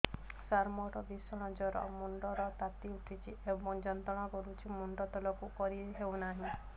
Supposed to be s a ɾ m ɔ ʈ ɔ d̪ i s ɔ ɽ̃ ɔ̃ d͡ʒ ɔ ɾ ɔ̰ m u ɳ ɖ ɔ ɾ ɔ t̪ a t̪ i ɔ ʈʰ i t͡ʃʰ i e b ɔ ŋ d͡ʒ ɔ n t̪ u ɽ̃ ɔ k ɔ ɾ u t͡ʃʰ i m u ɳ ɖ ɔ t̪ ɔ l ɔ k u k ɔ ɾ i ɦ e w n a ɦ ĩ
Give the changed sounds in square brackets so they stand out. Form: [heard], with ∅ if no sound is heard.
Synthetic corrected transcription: s a ɾ m ɔ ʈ ɔ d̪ i s ɔ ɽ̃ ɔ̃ d͡ʒ ɔ ɾ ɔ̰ m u ɳ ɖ ɔ ɾ ɔ t̪ a t̪ i [u] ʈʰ i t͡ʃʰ i e b ɔ ŋ d͡ʒ ɔ n t̪ [ɔ] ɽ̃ ɔ k ɔ ɾ u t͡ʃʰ i m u ɳ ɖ ɔ t̪ ɔ l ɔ k u k ɔ ɾ i ɦ e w n a ɦ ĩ

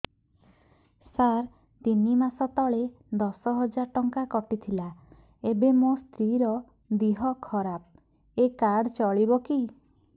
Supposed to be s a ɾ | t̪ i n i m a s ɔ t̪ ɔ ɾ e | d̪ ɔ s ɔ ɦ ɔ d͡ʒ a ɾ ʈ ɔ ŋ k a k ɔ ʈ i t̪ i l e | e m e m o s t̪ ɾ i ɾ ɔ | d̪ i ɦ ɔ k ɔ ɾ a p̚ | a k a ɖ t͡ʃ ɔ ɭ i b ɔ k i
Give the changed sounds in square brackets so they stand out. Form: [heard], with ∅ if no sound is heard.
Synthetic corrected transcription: s a ɾ | t̪ i n i m a s ɔ t̪ ɔ [ɭ] e | d̪ ɔ s ɔ ɦ ɔ d͡ʒ a ɾ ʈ ɔ ŋ k a k ɔ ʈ i [t̪ʰ] i l [a] | e [b] e m o s t̪ ɾ i ɾ ɔ | d̪ i ɦ ɔ [kʰ] ɔ ɾ a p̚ | [e] k a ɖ t͡ʃ ɔ ɭ i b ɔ k i

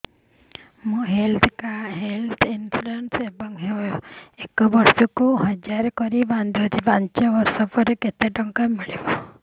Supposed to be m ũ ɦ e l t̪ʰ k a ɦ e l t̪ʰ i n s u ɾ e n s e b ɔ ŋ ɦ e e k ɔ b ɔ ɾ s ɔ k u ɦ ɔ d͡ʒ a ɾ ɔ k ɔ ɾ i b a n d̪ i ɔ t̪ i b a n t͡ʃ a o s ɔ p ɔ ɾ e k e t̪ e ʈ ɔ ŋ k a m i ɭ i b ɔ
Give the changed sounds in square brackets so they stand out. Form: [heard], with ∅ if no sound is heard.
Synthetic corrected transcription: m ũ ɦ e l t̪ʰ k a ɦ e l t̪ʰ i n s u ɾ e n s e b ɔ ŋ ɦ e e k ɔ b ɔ ɾ s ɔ k u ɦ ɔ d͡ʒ a ɾ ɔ k ɔ ɾ i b a n d̪ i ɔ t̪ i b a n t͡ʃ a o s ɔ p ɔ ɾ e k e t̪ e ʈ ɔ ŋ k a m i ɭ i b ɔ

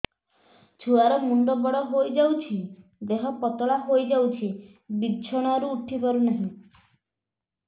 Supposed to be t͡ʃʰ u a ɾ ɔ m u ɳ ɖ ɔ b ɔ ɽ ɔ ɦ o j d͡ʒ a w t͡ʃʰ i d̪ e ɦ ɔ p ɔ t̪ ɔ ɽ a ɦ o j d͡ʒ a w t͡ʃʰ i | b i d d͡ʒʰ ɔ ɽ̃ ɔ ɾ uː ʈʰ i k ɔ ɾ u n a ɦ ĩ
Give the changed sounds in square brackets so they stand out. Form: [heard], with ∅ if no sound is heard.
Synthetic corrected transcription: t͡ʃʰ u a ɾ ɔ m u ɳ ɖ ɔ b ɔ ɽ ɔ ɦ o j d͡ʒ a w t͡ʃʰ i d̪ e ɦ ɔ p ɔ t̪ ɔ [ɭ] a ɦ o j d͡ʒ a w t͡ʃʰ i | b i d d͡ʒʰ ɔ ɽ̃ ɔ ɾ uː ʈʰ i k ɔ ɾ u n a ɦ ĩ

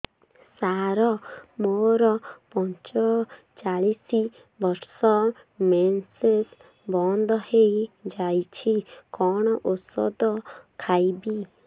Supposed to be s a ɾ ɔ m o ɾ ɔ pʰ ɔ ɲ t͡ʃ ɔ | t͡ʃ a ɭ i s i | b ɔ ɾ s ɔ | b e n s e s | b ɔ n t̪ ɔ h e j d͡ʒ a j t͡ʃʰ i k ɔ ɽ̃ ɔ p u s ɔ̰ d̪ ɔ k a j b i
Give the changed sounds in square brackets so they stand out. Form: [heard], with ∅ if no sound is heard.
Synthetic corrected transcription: s a ɾ ɔ m o ɾ ɔ [p] ɔ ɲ t͡ʃ ɔ | t͡ʃ a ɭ i s i | b ɔ ɾ s ɔ | [m] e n s e s | b ɔ n [d̪] ɔ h e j d͡ʒ a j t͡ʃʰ i k ɔ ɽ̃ ɔ [ʔ] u s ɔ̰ d̪ ɔ [kʰ] a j b i

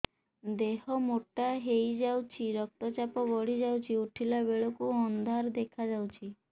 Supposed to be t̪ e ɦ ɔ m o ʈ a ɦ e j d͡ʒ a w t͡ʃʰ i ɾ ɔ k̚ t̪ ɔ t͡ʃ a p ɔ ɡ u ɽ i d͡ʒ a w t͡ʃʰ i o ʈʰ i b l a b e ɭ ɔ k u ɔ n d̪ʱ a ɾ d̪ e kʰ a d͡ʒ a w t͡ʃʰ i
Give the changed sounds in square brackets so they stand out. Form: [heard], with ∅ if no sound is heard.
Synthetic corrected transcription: [d̪] e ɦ ɔ m o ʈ a ɦ e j d͡ʒ a w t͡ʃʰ i ɾ ɔ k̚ t̪ ɔ t͡ʃ a p ɔ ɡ [ɔ] ɽ i d͡ʒ a w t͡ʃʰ i [u] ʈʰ i [∅] l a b e ɭ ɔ k u ɔ n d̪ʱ a ɾ d̪ e kʰ a d͡ʒ a w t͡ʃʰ i

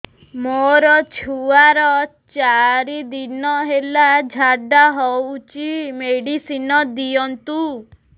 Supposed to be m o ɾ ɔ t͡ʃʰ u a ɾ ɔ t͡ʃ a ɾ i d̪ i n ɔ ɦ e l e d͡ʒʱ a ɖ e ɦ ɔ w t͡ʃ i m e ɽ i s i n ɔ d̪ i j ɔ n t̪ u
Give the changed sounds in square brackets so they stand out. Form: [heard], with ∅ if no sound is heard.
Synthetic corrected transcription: m o ɾ ɔ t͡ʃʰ u a ɾ ɔ t͡ʃ a ɾ i d̪ i n ɔ ɦ e l [a] d͡ʒʱ a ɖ [a] ɦ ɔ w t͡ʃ i m e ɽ i s i n ɔ d̪ i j ɔ n t̪ u

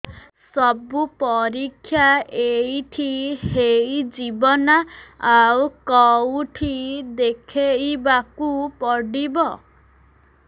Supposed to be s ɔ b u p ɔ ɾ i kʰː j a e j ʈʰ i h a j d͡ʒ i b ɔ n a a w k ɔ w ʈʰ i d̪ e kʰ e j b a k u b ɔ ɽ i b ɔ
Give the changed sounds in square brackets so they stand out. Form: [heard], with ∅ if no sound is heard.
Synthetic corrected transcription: s ɔ b u p ɔ ɾ i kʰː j a e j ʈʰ i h [e] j d͡ʒ i b ɔ n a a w k ɔ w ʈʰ i d̪ e kʰ e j b a k u [p] ɔ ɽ i b ɔ

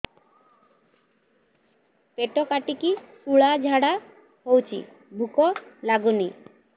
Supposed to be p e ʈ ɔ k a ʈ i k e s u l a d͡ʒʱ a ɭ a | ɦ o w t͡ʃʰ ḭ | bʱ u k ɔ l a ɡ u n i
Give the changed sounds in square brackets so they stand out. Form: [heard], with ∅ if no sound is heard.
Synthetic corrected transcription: p e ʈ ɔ k a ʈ i k [i] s u [ɭ] a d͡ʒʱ a [ɽ] a | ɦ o w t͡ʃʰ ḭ | bʱ u k ɔ l a ɡ u n i

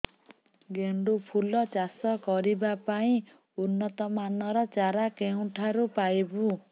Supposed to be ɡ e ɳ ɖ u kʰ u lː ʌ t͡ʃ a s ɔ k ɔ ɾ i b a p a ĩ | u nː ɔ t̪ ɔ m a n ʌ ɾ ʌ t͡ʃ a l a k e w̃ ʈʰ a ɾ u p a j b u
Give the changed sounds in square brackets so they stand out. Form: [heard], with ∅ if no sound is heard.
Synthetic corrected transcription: ɡ e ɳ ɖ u [pʰ] u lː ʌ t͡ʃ a s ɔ k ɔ ɾ i b a p a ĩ | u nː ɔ t̪ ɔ m a n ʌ ɾ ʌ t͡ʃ a [ɾ] a k e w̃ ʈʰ a ɾ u p a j b u

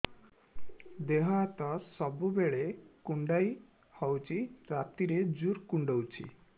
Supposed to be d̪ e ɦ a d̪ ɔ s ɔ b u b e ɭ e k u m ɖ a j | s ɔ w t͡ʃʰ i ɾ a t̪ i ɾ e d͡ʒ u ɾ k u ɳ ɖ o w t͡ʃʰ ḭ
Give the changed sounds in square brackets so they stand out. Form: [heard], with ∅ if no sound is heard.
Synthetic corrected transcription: d̪ e ɦ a [t̪] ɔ s ɔ b u b e ɭ e k u [ɳ] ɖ a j | [h] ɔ w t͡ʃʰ i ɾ a t̪ i ɾ e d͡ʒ u ɾ k u ɳ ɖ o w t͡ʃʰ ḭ

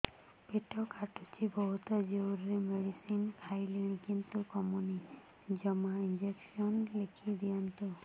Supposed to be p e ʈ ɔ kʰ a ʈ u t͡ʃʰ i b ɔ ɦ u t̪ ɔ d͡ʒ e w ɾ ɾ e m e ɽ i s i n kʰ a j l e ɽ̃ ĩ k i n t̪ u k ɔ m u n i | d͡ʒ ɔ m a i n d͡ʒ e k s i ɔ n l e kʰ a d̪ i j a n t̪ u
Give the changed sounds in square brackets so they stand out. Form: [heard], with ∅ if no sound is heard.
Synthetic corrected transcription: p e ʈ ɔ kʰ a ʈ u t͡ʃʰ i b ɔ ɦ u t̪ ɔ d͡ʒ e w ɾ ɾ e m e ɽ i s i n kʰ a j l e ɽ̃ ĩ k i n t̪ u k ɔ m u n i | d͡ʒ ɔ m a i n d͡ʒ e k s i ɔ n l e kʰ [i] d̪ i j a n t̪ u

